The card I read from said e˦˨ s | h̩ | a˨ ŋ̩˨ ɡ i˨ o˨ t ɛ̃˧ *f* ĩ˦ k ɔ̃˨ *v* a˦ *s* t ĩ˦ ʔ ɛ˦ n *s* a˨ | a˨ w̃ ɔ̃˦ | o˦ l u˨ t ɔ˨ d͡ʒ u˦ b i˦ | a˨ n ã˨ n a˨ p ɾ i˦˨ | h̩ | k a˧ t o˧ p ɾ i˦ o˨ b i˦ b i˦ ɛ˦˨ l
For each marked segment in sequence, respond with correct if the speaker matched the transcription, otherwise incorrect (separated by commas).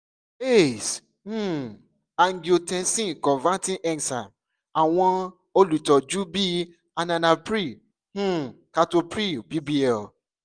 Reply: incorrect, correct, incorrect, correct